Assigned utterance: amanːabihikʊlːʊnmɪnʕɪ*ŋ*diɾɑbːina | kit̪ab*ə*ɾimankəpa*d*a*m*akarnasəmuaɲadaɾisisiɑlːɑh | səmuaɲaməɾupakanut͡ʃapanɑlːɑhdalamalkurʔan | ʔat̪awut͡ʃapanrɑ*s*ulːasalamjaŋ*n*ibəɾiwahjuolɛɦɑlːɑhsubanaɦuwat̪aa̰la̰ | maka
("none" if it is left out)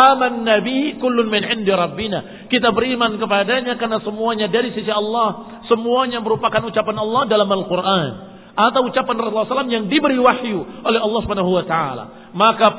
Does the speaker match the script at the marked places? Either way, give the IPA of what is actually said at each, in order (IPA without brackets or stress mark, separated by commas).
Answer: n, ə, d, ɲ, s, d